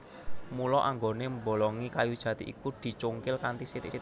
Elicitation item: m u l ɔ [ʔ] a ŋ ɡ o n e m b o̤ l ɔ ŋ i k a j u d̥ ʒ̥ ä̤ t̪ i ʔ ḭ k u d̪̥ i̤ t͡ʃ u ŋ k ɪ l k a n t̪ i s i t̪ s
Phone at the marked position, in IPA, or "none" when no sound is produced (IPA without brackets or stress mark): ʔ